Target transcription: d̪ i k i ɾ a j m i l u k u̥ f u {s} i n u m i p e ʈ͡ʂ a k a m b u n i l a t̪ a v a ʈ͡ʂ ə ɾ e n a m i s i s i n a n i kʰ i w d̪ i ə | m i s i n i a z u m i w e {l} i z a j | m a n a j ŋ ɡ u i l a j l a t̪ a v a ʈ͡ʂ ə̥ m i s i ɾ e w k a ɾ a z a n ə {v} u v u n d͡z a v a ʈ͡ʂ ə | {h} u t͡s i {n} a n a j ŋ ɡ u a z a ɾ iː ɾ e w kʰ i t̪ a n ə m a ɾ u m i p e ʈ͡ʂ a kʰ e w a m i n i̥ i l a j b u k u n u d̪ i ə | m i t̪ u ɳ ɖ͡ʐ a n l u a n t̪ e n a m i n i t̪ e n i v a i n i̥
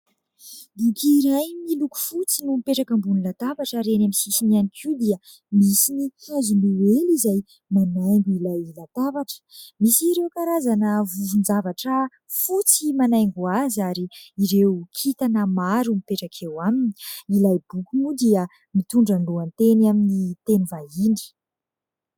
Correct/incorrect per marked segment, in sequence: incorrect: t͡s, correct, correct, incorrect: f, incorrect: m

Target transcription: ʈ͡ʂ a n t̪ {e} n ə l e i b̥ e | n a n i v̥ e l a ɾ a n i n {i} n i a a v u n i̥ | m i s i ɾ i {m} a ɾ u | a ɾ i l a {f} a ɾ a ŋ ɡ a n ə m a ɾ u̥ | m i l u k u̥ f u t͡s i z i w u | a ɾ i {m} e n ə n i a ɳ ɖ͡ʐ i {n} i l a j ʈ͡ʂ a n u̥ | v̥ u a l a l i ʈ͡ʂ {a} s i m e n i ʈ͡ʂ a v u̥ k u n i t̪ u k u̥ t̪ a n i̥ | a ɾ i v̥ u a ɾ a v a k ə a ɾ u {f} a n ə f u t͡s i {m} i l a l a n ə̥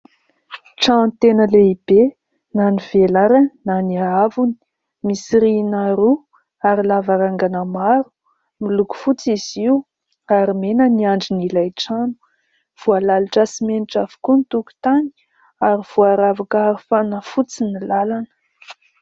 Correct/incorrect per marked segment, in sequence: correct, incorrect: a, incorrect: n, incorrect: v, correct, correct, correct, correct, incorrect: n

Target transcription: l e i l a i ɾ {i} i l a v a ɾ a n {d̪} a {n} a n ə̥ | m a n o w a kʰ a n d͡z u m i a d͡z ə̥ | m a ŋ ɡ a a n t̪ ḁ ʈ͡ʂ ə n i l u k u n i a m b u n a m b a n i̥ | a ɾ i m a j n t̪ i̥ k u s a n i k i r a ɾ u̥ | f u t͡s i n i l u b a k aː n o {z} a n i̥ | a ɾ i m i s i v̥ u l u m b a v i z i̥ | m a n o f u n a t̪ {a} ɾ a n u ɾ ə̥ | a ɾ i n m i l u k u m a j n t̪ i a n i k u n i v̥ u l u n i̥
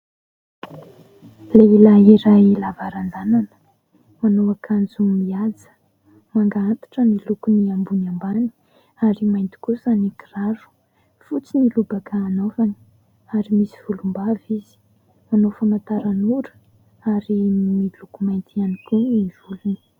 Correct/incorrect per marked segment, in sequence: incorrect: a, correct, correct, incorrect: v, correct

